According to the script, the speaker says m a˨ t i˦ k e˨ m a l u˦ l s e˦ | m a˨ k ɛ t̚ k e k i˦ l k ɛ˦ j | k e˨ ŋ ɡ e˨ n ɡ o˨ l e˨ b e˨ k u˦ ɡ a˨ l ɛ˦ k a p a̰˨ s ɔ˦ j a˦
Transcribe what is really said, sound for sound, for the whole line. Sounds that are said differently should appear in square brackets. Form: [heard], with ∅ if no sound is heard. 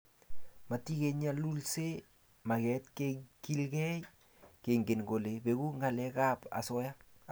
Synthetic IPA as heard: m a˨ t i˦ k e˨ [ɲ] a l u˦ l s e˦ | m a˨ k ɛ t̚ k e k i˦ l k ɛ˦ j | k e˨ ŋ ɡ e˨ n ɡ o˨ l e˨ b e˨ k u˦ [ŋ] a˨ l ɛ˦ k a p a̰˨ s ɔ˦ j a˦